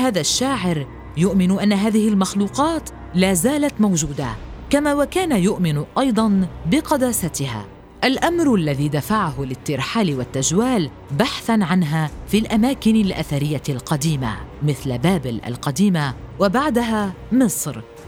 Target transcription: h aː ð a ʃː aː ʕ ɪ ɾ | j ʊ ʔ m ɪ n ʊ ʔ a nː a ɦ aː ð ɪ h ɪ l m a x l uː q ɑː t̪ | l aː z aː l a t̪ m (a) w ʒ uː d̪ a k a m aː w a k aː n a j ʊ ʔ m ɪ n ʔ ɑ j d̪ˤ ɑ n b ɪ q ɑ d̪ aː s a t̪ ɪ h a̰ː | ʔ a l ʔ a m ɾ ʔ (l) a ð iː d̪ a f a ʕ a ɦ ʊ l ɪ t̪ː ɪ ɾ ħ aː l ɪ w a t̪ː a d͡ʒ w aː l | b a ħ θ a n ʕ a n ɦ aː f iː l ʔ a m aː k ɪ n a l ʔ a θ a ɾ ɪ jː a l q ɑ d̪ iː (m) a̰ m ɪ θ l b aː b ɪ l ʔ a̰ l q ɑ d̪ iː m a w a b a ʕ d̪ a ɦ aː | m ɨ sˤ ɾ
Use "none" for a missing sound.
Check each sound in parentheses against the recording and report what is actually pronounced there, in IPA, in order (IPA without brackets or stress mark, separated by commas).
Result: a, lː, m